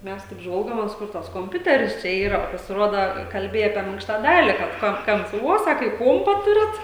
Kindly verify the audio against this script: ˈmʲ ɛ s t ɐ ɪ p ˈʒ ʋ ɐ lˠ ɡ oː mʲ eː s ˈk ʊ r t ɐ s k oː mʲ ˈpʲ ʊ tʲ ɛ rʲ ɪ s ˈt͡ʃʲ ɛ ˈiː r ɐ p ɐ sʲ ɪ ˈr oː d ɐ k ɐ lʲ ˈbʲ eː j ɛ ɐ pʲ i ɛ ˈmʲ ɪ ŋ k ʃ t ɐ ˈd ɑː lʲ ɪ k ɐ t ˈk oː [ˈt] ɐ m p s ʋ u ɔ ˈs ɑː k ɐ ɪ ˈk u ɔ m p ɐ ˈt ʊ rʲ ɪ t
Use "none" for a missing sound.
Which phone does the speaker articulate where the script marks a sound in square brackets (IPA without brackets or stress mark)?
k